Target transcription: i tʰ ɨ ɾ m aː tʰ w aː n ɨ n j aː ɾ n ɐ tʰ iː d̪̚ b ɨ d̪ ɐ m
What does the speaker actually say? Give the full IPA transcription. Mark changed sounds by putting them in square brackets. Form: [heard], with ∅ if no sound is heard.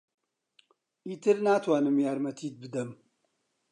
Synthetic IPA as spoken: i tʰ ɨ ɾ [n] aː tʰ w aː n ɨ [m] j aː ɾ [m] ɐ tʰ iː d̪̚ b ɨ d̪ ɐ m